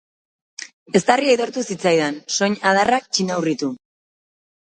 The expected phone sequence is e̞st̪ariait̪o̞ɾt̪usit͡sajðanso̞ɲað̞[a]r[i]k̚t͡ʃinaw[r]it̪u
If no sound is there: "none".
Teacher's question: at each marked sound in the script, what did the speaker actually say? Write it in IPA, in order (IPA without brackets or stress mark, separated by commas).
a, a, r